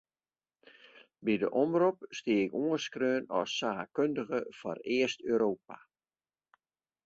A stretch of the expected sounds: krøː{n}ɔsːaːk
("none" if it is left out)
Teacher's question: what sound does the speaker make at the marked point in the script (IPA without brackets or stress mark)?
n